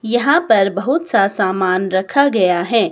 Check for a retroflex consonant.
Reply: absent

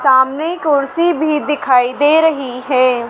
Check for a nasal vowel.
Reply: absent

